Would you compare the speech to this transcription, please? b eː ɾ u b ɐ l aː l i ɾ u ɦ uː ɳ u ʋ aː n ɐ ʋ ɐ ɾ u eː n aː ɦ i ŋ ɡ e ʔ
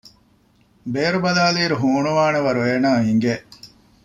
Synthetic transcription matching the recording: b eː ɾ u b ɐ l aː l iː ɾ u ɦ uː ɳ u ʋ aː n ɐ ʋ ɐ ɾ u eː n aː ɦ i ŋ ɡ e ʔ